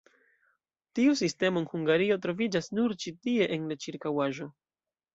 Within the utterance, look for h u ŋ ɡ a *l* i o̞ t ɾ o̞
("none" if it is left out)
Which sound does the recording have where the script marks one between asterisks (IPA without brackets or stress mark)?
ɾ